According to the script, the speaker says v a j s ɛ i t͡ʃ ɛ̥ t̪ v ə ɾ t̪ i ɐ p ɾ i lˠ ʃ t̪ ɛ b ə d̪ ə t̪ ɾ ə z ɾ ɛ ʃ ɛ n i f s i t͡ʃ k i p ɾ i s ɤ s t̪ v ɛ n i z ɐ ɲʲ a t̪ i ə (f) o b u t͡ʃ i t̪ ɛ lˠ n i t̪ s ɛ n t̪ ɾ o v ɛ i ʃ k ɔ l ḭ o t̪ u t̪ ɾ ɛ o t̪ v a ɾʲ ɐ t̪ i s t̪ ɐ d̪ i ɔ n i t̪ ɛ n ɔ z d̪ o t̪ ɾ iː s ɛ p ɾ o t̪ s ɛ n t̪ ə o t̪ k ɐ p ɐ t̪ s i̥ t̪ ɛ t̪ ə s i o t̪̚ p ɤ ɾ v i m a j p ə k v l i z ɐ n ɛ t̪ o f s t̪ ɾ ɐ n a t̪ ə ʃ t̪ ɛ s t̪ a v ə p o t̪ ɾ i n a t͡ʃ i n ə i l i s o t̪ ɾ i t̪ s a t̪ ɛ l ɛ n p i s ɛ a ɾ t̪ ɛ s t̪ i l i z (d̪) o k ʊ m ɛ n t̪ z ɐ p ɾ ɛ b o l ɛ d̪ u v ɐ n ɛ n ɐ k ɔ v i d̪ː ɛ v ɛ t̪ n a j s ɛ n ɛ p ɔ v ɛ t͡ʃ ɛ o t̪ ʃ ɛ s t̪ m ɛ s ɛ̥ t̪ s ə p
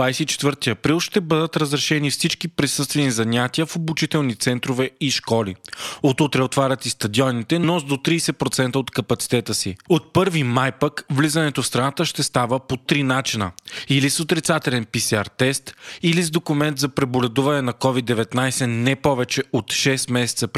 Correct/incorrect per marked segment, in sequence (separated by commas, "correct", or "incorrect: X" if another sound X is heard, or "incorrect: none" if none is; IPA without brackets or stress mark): correct, correct